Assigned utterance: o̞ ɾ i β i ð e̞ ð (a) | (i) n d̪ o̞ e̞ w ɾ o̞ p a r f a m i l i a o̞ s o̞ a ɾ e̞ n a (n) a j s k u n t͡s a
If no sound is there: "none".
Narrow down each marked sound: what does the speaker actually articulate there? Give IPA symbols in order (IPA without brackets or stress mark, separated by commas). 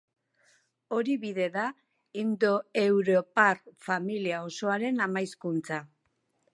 a, i, m